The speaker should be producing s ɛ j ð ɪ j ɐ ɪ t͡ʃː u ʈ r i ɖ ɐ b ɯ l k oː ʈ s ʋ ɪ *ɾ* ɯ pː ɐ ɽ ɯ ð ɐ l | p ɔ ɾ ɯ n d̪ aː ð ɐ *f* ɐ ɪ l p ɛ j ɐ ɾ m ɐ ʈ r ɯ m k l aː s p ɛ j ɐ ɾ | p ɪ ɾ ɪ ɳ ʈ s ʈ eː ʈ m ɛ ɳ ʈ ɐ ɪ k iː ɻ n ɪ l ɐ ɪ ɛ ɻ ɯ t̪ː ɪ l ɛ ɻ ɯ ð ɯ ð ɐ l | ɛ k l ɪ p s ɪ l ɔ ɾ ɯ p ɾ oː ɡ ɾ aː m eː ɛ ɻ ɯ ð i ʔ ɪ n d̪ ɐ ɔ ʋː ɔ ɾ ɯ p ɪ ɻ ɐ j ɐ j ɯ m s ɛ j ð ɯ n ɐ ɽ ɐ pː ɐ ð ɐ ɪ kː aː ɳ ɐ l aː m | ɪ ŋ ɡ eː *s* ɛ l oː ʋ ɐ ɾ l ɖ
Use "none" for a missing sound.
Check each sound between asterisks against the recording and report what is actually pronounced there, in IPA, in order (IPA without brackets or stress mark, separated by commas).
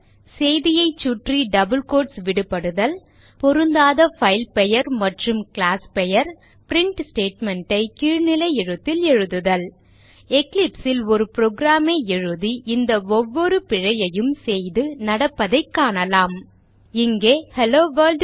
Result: ɽ, f, h